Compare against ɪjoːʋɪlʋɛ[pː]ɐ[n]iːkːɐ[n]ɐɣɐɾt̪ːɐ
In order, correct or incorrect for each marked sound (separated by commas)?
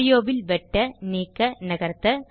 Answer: incorrect, correct, correct